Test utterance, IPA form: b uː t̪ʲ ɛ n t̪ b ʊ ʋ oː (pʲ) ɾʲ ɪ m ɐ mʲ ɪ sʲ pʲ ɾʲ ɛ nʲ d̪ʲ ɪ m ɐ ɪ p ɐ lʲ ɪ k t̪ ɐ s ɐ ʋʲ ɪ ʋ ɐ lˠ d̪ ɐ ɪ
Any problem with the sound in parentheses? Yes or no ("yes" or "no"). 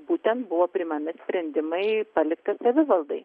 no